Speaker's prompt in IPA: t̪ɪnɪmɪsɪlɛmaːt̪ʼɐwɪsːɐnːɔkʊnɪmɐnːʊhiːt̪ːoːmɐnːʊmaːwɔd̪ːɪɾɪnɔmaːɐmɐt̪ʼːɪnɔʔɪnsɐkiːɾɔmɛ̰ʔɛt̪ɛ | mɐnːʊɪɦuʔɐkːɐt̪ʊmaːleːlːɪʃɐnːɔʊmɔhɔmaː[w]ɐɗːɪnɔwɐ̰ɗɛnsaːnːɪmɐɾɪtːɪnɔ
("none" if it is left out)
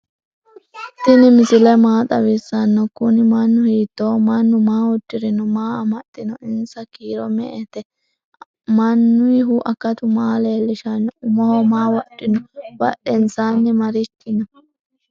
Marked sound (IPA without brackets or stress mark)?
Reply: w